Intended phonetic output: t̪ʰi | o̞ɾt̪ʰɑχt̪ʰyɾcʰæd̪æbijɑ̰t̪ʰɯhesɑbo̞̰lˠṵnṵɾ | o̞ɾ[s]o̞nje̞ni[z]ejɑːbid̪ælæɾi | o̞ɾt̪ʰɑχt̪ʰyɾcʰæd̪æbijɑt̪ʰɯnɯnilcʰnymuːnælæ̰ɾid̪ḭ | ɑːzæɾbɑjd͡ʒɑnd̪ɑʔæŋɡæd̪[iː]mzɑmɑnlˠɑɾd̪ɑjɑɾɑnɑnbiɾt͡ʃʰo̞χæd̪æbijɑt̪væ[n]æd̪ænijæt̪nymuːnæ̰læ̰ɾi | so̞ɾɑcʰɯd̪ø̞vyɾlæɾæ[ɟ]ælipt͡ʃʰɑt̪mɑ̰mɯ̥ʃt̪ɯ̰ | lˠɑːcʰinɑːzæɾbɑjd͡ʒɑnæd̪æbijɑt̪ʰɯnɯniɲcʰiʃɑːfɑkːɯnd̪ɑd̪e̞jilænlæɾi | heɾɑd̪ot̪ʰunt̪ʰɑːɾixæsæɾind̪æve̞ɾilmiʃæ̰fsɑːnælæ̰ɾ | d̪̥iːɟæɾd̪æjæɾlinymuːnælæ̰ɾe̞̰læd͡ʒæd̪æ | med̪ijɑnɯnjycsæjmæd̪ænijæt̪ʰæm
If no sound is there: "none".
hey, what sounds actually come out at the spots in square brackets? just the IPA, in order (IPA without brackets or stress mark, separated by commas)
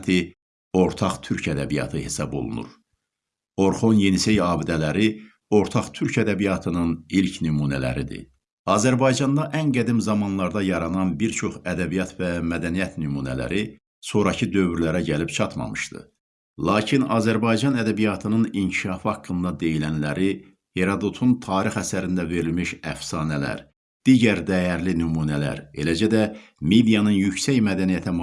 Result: χ, s, i, m, ɟ